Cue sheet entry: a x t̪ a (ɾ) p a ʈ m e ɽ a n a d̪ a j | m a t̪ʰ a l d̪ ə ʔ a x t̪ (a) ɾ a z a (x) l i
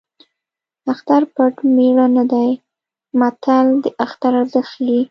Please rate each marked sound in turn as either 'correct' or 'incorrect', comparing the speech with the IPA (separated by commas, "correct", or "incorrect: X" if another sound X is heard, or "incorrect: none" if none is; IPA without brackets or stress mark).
correct, correct, correct